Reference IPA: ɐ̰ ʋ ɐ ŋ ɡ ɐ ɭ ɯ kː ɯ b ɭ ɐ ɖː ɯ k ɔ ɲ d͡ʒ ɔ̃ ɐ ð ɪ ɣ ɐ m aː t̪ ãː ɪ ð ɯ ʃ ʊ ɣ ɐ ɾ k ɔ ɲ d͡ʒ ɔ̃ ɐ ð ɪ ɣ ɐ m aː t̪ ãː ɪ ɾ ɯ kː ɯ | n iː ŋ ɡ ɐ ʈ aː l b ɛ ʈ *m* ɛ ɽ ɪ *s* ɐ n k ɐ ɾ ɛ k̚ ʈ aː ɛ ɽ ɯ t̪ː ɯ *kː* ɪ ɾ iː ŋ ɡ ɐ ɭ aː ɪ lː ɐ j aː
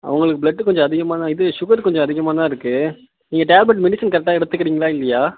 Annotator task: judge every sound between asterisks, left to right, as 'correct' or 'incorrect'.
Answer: correct, correct, correct

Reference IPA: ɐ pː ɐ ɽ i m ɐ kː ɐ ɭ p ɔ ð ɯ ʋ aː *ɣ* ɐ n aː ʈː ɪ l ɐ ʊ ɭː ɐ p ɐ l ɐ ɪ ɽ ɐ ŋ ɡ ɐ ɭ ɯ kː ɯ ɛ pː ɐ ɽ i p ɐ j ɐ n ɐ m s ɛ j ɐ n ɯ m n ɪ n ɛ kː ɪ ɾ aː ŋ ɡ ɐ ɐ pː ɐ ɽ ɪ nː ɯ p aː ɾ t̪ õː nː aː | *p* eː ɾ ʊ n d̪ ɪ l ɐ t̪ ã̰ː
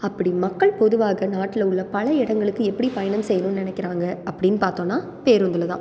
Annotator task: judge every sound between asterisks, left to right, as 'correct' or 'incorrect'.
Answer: correct, correct

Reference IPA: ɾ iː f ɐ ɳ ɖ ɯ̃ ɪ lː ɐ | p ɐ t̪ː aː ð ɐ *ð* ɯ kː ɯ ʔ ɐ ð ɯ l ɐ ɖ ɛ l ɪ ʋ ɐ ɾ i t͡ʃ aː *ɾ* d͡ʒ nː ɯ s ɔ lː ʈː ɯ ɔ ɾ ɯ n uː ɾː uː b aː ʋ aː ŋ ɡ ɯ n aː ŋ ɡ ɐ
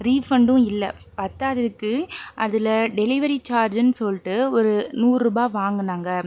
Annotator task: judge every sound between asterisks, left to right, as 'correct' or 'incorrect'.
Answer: correct, correct

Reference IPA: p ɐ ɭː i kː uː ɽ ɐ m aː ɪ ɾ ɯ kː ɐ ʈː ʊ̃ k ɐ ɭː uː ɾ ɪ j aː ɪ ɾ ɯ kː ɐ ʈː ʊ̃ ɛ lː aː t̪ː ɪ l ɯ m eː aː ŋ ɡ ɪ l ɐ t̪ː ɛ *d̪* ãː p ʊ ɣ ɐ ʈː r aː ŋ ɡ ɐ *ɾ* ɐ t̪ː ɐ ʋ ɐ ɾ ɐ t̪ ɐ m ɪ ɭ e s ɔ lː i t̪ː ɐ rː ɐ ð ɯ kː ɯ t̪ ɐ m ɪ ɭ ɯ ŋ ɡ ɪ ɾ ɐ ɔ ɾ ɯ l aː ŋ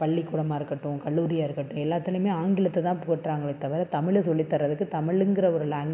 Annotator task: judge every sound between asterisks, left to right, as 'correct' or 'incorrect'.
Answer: incorrect: t̪, incorrect: ɭ

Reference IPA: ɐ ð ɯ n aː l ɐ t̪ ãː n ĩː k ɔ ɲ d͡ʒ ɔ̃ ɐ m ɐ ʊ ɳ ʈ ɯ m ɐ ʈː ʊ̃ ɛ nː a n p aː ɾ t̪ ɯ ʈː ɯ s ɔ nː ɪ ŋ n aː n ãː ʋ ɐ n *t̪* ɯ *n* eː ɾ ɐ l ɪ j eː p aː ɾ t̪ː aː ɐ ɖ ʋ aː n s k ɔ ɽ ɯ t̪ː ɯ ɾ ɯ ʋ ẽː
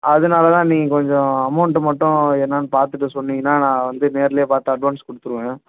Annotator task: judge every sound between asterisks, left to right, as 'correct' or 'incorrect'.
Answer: incorrect: d̪, correct

